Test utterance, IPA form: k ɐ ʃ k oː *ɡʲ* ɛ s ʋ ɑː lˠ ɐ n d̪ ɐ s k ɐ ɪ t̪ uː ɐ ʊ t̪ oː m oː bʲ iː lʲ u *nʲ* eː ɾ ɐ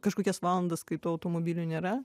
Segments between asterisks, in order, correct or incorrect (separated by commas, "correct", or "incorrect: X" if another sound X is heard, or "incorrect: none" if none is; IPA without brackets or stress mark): incorrect: kʲ, correct